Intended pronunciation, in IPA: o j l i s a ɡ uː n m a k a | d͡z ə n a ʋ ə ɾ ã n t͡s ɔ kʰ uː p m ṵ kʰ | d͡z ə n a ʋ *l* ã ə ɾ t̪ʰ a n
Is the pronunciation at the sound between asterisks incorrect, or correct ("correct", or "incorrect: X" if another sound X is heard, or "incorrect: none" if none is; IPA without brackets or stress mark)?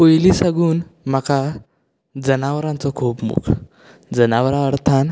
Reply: incorrect: ɾ